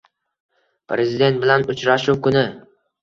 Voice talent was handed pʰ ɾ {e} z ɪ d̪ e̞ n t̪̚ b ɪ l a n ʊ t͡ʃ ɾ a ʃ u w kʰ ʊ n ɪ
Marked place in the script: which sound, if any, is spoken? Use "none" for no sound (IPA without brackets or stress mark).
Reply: e